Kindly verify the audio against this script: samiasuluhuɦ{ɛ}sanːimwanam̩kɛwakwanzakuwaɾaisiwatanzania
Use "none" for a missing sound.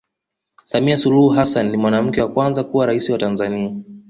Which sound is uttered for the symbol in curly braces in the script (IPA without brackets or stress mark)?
a